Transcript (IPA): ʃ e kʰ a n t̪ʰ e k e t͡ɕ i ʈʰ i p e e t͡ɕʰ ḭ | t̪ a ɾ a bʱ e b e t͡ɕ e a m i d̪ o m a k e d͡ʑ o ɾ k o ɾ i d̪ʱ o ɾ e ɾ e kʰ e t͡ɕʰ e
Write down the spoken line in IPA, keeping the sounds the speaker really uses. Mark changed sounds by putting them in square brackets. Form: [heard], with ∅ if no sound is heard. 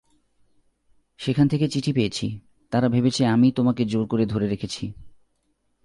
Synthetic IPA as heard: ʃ e kʰ a n t̪ʰ e k e t͡ɕ i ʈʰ i p e e t͡ɕʰ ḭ | t̪ a ɾ a bʱ e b e [t͡ɕʰ] e a m i [t̪] o m a k e d͡ʑ o ɾ k o ɾ [e] d̪ʱ o ɾ e ɾ e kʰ e t͡ɕʰ [i]